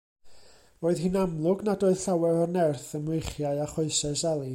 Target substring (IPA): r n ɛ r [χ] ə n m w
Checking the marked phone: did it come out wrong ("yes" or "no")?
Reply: yes